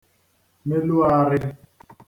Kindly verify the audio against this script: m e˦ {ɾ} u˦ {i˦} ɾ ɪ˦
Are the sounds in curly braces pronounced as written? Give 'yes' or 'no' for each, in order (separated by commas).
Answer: no, no